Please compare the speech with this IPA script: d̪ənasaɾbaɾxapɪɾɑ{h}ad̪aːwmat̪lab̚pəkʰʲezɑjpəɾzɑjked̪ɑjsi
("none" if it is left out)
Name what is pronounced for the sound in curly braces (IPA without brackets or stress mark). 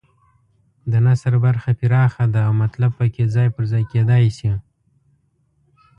x